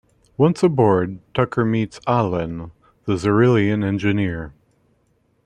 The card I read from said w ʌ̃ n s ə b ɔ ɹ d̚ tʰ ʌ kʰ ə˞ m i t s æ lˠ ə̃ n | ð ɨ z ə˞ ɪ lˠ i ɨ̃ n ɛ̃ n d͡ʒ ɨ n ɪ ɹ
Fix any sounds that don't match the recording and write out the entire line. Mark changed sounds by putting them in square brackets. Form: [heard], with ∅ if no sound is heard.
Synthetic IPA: w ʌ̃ n s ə b ɔ ɹ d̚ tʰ ʌ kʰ ə˞ m i t s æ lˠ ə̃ n | ð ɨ z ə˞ ɪ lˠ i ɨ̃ n ɛ̃ n d͡ʒ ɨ n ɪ ɹ